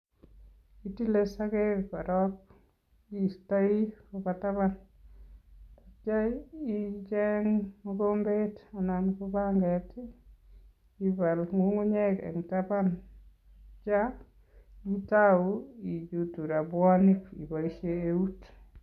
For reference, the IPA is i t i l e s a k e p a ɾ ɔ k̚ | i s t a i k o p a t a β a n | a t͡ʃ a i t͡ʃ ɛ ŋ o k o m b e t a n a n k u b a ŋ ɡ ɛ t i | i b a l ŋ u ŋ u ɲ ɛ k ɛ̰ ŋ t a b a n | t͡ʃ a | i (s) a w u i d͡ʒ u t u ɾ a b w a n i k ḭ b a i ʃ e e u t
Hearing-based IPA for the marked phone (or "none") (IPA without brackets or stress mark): t